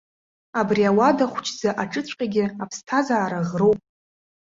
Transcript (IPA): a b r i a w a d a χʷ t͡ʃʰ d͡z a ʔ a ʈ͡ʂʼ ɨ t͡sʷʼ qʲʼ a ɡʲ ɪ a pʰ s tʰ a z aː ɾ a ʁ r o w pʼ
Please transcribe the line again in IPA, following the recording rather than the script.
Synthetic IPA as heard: a b r i a w a d a χʷ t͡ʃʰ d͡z a ʔ a ʈ͡ʂʼ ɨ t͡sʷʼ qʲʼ a ɡʲ ɪ a pʰ s tʰ a z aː ɾ a ʁ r o w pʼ